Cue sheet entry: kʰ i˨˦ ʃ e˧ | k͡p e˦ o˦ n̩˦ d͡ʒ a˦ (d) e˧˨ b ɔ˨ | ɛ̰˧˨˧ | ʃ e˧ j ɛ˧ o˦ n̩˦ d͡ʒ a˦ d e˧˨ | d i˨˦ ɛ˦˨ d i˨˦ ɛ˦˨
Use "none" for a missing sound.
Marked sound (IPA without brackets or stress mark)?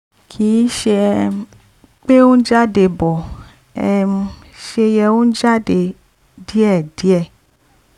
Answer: d